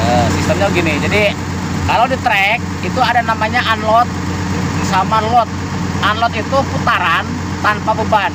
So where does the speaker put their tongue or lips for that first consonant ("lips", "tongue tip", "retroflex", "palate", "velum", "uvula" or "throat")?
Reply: tongue tip